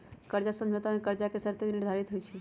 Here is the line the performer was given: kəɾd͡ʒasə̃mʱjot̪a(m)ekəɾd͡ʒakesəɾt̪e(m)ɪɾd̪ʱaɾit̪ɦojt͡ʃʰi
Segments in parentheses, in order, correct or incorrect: correct, incorrect

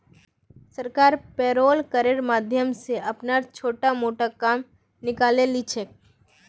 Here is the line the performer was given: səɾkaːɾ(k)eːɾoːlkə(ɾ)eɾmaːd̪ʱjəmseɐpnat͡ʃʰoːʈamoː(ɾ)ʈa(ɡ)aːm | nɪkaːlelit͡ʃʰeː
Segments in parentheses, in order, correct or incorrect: incorrect, correct, incorrect, incorrect

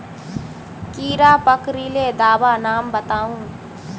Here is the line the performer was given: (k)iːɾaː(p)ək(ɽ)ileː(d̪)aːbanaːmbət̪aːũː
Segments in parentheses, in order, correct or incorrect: correct, correct, incorrect, correct

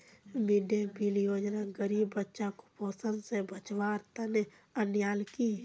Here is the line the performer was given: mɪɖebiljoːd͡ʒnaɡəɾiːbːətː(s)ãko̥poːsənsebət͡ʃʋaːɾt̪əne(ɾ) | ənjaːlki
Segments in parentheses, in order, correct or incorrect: incorrect, incorrect

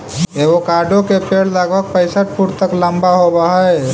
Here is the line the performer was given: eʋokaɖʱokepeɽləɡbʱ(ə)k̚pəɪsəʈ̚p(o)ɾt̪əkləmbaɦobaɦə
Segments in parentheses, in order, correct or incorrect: correct, incorrect

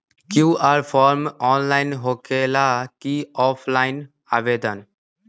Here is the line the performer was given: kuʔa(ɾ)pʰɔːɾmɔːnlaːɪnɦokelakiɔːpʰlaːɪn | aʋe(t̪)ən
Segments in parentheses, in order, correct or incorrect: correct, incorrect

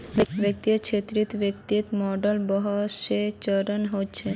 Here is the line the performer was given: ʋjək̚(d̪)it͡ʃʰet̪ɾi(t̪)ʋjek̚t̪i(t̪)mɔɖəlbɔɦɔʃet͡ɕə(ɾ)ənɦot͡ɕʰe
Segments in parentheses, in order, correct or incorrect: incorrect, correct, correct, correct

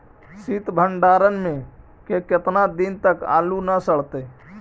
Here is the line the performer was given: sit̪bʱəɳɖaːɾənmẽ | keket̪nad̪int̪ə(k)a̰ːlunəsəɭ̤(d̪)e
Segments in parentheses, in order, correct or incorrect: correct, incorrect

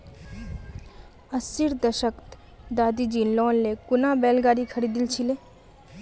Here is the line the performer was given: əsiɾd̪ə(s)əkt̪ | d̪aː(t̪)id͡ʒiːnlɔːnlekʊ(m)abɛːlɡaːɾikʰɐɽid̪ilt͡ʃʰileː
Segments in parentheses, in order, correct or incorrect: incorrect, incorrect, incorrect

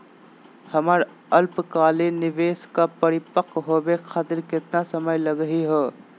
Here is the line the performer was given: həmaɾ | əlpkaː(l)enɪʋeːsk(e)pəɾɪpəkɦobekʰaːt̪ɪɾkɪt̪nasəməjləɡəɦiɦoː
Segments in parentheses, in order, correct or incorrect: correct, incorrect

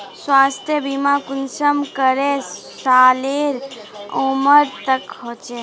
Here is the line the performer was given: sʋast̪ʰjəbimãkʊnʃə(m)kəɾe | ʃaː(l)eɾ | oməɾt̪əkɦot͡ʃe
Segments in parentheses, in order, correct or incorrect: correct, correct

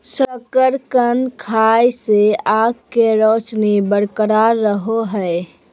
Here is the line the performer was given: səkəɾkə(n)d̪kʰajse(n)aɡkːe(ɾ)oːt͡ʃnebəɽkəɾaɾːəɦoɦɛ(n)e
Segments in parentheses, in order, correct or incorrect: correct, incorrect, correct, incorrect

